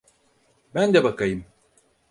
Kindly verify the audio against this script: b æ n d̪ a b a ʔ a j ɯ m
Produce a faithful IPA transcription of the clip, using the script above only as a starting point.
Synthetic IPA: b æ n d̪ ɛ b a k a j ɯ m